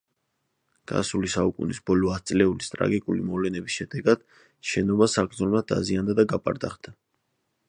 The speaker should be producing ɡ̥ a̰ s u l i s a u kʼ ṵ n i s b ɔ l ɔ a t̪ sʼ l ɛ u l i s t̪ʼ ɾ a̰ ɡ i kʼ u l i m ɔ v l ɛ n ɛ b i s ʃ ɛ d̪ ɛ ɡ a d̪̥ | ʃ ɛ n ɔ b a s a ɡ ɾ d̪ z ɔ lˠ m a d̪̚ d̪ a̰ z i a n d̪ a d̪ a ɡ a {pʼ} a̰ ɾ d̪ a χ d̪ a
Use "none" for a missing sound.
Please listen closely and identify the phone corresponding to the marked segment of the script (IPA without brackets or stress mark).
pʼ